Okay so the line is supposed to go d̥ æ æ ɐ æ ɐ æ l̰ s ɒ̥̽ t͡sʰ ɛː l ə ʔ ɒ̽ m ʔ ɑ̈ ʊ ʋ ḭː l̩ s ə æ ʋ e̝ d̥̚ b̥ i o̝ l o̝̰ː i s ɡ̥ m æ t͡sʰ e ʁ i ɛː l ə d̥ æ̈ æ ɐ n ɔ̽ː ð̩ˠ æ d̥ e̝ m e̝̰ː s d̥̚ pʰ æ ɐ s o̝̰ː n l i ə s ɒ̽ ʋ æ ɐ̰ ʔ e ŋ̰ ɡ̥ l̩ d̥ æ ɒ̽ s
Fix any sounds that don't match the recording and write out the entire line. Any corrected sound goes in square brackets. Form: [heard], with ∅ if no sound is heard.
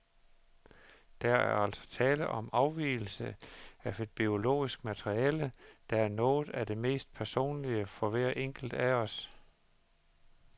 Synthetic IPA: d̥ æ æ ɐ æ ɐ æ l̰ s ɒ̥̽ t͡sʰ ɛː l ə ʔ ɒ̽ m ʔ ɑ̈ ʊ ʋ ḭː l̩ s ə æ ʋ e̝ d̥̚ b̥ i o̝ l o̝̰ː i s ɡ̥ m æ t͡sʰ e ʁ i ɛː l ə d̥ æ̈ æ ɐ n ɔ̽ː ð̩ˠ æ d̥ e̝ m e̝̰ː s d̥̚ pʰ æ ɐ s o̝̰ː n l i ə [f] ɒ̽ ʋ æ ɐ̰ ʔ e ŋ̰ ɡ̥ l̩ d̥ æ ɒ̽ s